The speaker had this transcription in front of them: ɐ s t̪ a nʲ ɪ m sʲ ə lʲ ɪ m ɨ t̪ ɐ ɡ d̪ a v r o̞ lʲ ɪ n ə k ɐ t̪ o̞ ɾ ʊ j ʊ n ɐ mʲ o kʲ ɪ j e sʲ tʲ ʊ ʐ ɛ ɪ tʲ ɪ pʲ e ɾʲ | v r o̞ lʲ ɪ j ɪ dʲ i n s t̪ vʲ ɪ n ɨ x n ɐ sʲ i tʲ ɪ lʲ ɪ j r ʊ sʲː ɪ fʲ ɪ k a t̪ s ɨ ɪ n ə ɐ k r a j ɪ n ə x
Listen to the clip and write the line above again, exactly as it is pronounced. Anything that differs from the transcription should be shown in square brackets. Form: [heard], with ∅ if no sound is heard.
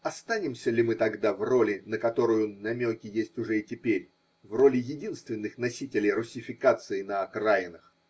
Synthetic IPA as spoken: ɐ s t̪ a nʲ ɪ m sʲ ə lʲ ɪ m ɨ t̪ ɐ ɡ d̪ a v r o̞ lʲ ɪ n ə k ɐ t̪ o̞ ɾ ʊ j ʊ n ɐ mʲ o kʲ ɪ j e sʲ tʲ ʊ ʐ ɛ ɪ tʲ ɪ pʲ e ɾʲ | v r o̞ lʲ ɪ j ɪ dʲ i n s t̪ vʲ ɪ [nː] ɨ x n ɐ sʲ i tʲ ɪ lʲ ɪ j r ʊ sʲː ɪ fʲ ɪ k a t̪ s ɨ ɪ n ə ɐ k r a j ɪ n ə x